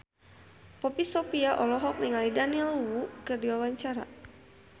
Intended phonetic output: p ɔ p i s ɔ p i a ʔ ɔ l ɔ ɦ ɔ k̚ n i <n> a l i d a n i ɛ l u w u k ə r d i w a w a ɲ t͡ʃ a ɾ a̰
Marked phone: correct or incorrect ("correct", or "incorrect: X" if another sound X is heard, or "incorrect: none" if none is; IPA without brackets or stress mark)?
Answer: incorrect: ŋ